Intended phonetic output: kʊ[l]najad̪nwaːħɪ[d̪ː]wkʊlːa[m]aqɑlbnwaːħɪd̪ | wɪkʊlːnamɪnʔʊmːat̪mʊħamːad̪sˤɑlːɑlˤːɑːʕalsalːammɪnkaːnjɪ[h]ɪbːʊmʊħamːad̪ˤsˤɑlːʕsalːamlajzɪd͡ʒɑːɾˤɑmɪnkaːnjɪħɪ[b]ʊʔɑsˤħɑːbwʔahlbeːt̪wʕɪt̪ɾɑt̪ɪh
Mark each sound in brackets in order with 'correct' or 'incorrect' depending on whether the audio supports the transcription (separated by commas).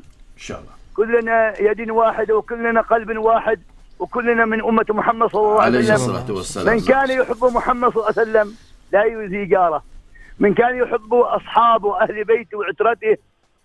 incorrect, incorrect, incorrect, incorrect, incorrect